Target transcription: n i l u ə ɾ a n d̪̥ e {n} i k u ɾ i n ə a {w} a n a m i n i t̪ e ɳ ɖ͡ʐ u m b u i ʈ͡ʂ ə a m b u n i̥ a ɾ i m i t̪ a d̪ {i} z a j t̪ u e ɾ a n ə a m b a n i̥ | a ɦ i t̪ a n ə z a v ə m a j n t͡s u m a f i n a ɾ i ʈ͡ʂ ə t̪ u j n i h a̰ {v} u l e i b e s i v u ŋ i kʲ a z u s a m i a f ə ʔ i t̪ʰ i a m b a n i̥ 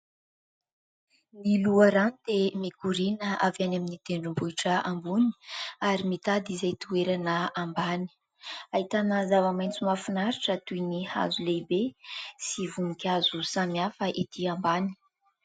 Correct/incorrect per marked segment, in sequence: incorrect: m, incorrect: v, correct, incorrect: z

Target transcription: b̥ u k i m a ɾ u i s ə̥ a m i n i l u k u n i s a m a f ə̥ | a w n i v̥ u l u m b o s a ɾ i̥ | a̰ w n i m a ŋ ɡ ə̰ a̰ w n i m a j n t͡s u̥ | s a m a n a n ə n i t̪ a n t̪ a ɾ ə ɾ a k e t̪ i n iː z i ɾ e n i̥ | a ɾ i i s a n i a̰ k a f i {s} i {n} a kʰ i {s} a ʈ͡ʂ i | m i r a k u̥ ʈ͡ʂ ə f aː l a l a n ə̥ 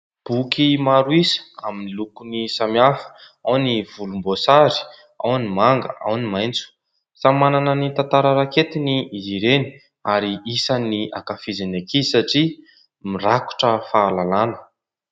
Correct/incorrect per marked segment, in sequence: incorrect: z, correct, correct

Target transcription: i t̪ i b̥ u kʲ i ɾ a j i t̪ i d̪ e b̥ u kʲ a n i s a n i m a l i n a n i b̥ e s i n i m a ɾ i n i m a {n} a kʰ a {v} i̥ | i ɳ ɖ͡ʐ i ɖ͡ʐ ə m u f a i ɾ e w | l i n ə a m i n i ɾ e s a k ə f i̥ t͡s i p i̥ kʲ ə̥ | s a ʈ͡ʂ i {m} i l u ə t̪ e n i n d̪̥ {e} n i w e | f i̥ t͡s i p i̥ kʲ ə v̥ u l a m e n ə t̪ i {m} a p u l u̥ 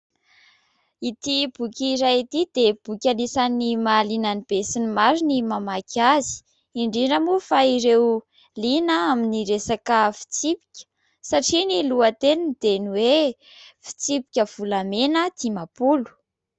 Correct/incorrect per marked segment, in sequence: incorrect: m, incorrect: z, incorrect: n, correct, correct

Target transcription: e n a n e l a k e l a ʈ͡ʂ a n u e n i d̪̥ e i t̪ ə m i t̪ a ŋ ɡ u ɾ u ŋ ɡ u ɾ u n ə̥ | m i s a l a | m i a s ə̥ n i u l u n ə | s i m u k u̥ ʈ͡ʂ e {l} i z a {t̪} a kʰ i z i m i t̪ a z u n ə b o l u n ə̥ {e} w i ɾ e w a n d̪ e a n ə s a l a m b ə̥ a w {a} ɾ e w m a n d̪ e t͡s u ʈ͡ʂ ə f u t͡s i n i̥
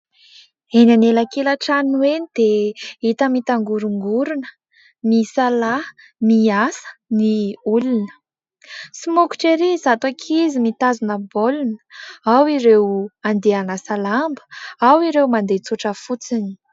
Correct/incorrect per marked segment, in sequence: incorrect: ɾ, correct, incorrect: a, incorrect: i

